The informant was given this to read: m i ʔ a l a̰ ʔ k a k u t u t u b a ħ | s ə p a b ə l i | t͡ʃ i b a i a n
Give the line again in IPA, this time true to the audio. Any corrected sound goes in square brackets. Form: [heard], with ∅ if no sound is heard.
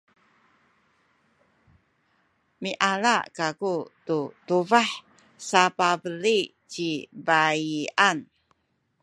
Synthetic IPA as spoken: m i ʔ a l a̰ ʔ k a k u t u t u [v] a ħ | s [a] p a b ə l i | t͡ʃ i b a i a n